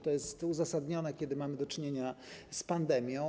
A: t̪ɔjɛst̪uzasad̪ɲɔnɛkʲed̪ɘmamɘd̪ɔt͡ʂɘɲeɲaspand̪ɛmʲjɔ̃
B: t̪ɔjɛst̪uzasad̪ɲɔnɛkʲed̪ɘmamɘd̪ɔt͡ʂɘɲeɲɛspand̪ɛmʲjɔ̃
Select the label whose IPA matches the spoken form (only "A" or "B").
A